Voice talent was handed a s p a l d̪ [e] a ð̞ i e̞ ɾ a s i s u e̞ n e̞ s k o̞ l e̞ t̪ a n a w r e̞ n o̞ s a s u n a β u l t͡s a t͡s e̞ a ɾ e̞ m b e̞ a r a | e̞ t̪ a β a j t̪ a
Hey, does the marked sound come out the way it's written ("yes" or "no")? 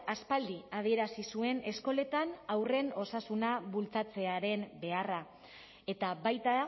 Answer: no